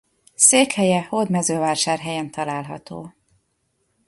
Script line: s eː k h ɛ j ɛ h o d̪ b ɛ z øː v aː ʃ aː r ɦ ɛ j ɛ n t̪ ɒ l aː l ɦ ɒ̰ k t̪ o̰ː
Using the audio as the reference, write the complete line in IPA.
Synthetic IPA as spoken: s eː k h ɛ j ɛ h o d̪ m ɛ z øː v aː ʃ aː r ɦ ɛ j ɛ n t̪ ɒ l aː l ɦ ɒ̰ t̪ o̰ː